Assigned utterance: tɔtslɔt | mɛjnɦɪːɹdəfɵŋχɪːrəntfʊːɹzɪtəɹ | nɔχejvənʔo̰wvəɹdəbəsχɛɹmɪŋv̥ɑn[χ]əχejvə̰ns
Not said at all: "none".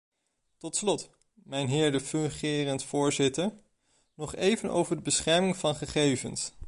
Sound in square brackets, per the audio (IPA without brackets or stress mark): χ